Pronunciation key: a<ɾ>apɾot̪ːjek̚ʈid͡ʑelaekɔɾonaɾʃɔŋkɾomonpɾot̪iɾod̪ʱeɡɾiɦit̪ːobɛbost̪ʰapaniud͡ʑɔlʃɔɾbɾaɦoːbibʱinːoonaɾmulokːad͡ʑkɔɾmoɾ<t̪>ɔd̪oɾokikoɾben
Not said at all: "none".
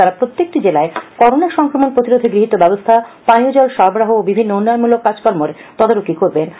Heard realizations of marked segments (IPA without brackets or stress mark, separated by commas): ɾ, t̪